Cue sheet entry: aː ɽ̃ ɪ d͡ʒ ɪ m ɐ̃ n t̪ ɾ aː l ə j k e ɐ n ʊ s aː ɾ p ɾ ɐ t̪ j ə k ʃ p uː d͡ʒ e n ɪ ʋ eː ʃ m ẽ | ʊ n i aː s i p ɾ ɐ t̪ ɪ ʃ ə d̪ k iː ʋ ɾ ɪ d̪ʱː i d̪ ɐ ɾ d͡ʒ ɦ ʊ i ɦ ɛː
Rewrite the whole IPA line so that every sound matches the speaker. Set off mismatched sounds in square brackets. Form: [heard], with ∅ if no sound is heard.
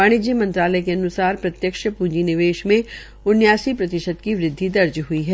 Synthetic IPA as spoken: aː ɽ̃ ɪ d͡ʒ [i] m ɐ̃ n t̪ ɾ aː l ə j k e ɐ n ʊ s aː ɾ p ɾ ɐ t̪ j ə k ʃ p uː d͡ʒ [i] n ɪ ʋ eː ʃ m ẽ | ʊ n [j] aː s i p ɾ ɐ t̪ ɪ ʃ ə d̪ k [i] ʋ ɾ ɪ d̪ʱː i d̪ ɐ ɾ d͡ʒ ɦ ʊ i ɦ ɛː